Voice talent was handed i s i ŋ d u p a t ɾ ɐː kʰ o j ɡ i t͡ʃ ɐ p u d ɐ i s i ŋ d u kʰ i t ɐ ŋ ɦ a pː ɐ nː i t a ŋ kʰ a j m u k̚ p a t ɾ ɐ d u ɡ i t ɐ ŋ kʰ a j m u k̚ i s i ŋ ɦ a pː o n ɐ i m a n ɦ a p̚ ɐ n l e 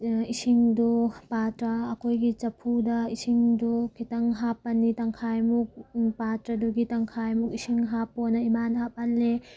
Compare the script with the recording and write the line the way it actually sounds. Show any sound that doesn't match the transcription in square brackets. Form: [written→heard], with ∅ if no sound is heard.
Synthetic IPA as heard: i s i ŋ d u p a t ɾ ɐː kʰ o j ɡ i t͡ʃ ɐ [p→pʰ] u d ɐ i s i ŋ d u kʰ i t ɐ ŋ ɦ a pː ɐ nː i t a ŋ kʰ a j m u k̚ p a t ɾ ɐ d u ɡ i t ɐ ŋ kʰ a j m u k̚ i s i ŋ ɦ a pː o n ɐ i m a n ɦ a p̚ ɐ n l e